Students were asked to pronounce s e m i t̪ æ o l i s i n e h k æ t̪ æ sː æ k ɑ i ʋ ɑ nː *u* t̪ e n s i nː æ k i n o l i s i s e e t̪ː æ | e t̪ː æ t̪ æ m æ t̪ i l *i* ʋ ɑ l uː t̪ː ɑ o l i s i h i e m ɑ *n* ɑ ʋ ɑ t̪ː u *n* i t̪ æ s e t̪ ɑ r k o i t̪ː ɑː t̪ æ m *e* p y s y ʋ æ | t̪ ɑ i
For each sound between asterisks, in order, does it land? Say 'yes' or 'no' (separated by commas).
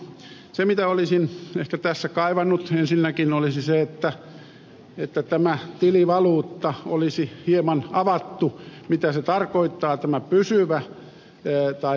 yes, yes, yes, no, no